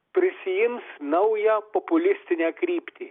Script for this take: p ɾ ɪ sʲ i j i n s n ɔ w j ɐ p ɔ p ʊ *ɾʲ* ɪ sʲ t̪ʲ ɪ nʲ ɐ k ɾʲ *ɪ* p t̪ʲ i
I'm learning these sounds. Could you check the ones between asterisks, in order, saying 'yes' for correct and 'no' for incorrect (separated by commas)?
no, no